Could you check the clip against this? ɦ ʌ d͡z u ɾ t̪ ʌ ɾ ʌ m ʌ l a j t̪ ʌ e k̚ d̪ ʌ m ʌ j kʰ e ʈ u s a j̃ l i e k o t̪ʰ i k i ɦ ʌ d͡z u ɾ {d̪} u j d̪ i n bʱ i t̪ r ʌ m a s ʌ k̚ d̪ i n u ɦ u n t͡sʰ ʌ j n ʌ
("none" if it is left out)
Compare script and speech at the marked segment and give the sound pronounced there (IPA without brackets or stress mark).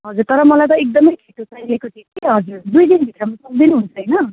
d̪